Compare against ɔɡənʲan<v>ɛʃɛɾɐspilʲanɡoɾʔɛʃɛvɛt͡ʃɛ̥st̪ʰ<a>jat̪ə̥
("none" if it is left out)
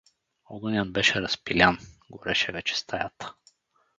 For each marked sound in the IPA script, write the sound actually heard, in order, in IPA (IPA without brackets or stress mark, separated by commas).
b, a